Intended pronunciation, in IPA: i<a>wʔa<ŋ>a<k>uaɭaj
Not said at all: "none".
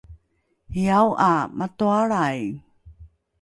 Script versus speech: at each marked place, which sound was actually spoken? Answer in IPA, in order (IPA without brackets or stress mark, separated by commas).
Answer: a, m, t